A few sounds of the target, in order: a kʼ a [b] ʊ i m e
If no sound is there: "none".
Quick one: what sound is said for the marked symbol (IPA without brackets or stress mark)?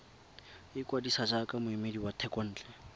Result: m